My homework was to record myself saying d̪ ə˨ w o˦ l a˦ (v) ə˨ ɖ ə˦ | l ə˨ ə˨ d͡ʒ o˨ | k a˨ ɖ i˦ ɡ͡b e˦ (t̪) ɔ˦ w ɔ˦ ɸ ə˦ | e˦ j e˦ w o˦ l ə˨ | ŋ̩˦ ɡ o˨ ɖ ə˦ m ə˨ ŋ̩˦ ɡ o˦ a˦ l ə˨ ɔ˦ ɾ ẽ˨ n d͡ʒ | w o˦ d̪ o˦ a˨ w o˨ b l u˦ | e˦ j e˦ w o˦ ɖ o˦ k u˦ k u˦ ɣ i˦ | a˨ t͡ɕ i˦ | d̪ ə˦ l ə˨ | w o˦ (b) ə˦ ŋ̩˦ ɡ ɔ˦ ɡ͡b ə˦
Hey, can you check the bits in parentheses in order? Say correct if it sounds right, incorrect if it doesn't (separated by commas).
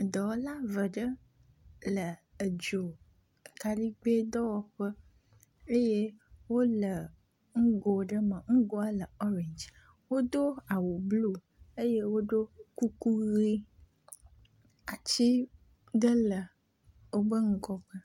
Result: correct, incorrect, correct